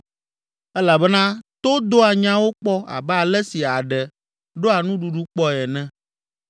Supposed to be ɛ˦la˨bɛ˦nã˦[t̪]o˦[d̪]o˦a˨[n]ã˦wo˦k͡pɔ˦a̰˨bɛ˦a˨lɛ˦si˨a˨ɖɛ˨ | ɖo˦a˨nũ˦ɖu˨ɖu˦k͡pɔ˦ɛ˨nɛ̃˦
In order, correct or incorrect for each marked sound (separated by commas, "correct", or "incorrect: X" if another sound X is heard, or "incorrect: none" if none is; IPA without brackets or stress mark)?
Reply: correct, correct, incorrect: ɲ